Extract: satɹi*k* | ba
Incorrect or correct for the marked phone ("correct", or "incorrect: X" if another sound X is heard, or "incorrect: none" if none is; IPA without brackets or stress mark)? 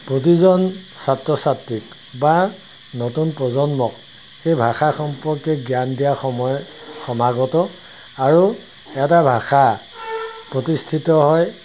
correct